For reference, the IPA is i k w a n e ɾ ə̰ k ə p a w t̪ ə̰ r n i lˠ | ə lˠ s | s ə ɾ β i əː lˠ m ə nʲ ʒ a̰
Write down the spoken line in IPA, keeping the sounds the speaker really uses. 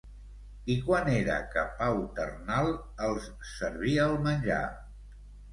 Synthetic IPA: i k w a n e ɾ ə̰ k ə p a w t̪ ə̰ r n a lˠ | ə lˠ s | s ə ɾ β i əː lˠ m ə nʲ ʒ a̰